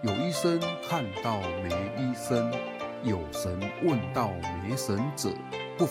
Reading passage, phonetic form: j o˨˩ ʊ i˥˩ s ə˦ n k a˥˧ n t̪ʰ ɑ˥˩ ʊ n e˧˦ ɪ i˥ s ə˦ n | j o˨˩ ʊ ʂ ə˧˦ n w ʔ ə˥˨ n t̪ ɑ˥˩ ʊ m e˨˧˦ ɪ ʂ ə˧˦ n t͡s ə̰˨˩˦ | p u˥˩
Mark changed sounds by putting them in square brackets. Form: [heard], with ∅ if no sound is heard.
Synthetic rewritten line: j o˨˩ ʊ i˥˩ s ə˦ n [kʰ] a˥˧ n [t̪] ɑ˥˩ ʊ [m] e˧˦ ɪ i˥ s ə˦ n | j o˨˩ ʊ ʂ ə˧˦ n w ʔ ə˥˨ n t̪ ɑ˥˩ ʊ m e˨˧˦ ɪ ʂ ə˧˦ n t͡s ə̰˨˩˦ | p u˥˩